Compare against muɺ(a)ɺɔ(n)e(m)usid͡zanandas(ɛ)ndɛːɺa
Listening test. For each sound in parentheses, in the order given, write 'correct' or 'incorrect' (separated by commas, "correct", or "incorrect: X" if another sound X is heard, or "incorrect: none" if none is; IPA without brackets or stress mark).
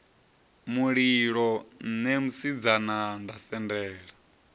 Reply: incorrect: i, correct, correct, correct